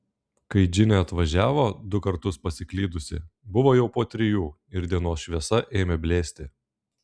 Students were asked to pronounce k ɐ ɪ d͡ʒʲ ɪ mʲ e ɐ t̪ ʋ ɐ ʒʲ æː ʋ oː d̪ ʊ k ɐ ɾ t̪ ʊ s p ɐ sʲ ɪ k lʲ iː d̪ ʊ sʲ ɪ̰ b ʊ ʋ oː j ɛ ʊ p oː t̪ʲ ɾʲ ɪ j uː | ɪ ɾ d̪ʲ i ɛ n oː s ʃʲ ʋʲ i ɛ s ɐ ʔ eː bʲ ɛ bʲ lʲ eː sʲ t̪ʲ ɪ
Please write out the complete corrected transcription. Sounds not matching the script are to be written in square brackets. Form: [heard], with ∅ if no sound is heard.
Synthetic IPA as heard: k ɐ ɪ d͡ʒʲ ɪ [nʲ] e ɐ t̪ ʋ ɐ ʒʲ æː ʋ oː d̪ ʊ k ɐ ɾ t̪ ʊ s p ɐ sʲ ɪ k lʲ iː d̪ ʊ sʲ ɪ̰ b ʊ ʋ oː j ɛ ʊ p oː t̪ʲ ɾʲ ɪ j uː | ɪ ɾ d̪ʲ i ɛ n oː s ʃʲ ʋʲ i ɛ s ɐ ʔ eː [mʲ] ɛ bʲ lʲ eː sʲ t̪ʲ ɪ